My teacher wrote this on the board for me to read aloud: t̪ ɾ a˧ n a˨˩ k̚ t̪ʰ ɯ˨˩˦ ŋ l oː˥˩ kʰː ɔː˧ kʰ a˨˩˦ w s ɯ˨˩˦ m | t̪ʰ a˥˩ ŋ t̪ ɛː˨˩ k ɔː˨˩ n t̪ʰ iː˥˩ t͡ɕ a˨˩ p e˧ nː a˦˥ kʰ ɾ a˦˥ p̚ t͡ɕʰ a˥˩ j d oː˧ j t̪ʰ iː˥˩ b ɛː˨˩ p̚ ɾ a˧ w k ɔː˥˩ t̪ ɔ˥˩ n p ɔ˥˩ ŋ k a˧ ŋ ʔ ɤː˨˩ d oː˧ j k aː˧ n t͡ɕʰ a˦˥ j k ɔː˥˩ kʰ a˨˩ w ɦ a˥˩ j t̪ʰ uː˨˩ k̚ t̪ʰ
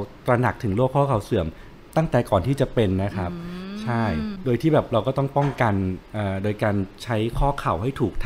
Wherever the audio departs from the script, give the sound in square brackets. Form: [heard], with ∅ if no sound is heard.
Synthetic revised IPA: t̪ ɾ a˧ n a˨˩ k̚ t̪ʰ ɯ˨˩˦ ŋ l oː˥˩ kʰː [ɔː˥˩] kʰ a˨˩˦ w s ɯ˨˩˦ m | [t̪] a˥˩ ŋ t̪ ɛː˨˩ k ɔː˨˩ n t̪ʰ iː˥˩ t͡ɕ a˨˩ p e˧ nː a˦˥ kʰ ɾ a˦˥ p̚ t͡ɕʰ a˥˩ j d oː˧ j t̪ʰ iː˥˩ b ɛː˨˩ p̚ ɾ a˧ w k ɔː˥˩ t̪ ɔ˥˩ [ŋ] p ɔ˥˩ ŋ k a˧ [n] ʔ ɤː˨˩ d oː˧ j k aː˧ n t͡ɕʰ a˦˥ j [kʰ] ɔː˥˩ kʰ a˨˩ w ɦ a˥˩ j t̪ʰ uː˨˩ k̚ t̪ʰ